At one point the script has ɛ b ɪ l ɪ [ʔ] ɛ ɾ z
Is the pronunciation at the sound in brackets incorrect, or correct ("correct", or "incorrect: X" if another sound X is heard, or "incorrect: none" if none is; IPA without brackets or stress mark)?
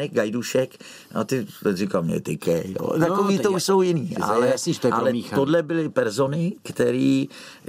incorrect: p